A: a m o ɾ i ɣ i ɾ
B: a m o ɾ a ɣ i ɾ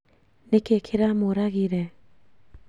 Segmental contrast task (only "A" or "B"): B